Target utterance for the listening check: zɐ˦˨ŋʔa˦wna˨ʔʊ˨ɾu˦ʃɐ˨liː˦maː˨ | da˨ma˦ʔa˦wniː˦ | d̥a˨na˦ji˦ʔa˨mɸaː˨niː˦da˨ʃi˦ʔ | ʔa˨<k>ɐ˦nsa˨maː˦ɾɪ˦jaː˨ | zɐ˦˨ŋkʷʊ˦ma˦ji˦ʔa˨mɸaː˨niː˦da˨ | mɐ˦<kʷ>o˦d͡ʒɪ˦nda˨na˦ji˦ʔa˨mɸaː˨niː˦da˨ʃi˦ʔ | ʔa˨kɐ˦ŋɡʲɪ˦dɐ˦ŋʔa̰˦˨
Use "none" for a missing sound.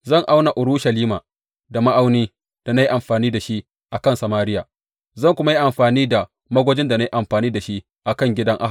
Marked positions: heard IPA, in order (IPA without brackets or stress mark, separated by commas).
k, ɡʷ